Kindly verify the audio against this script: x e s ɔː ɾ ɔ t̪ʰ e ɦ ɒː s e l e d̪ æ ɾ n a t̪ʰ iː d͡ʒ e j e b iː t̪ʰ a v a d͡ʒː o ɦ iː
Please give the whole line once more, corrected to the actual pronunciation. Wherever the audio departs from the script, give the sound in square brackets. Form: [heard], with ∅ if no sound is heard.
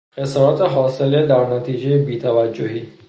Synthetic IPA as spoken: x e s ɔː ɾ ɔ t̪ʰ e ɦ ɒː s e l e d̪ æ ɾ n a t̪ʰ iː d͡ʒ e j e b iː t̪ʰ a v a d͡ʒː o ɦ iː